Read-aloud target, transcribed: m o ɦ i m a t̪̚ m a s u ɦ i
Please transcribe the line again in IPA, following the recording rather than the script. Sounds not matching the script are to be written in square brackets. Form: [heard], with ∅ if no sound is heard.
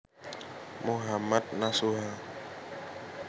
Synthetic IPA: m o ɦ [a] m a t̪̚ [n] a s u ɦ [a]